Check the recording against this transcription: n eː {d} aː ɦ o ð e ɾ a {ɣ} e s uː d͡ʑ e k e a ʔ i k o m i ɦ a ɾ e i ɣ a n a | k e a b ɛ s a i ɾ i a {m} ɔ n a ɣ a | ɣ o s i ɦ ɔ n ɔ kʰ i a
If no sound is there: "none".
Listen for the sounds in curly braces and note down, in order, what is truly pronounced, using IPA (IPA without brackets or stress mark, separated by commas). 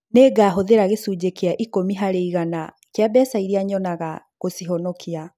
ɡ, ɣ, ɲ